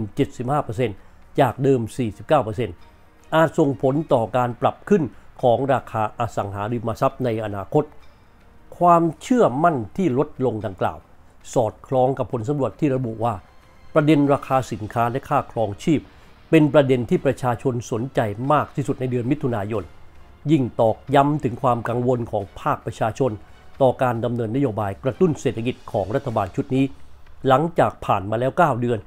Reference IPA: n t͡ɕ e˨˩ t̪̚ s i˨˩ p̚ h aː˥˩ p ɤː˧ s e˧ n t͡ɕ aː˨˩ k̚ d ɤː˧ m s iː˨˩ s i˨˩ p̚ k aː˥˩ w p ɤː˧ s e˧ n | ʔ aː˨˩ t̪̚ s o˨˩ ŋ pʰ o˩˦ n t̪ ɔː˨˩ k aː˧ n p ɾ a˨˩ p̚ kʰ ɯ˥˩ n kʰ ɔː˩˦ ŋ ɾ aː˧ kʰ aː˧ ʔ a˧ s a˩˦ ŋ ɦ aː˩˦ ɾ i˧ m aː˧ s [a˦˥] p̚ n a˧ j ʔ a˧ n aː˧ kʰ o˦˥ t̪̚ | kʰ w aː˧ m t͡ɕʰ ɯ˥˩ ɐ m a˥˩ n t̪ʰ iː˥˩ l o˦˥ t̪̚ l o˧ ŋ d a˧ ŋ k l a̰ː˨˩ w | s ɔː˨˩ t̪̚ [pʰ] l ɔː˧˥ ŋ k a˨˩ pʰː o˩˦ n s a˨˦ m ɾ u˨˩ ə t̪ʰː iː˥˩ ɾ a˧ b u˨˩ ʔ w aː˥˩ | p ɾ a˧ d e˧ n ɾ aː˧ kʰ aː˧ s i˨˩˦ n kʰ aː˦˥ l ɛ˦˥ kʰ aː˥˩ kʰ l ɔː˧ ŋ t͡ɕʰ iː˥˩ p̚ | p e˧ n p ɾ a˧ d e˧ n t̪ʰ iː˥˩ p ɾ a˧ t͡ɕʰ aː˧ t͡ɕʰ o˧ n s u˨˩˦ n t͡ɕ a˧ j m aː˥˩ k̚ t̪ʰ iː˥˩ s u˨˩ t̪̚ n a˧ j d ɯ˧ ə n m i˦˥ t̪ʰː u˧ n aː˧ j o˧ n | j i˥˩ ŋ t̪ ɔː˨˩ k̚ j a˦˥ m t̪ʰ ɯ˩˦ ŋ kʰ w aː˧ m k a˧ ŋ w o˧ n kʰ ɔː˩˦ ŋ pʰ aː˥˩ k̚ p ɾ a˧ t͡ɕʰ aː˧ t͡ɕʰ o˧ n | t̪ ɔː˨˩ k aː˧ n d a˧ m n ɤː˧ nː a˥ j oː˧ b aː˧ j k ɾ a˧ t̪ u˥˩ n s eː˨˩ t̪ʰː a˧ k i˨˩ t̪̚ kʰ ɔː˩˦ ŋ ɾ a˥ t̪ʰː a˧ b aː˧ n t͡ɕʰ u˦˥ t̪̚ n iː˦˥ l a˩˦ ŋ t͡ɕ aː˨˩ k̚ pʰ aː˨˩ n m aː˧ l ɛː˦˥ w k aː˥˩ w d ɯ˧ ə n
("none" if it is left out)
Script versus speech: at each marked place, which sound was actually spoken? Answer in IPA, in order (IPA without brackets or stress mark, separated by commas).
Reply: a˦˥, kʰ